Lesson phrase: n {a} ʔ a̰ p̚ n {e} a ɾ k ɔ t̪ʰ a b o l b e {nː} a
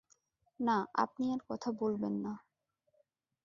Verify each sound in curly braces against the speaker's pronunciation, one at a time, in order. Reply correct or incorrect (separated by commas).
correct, incorrect, correct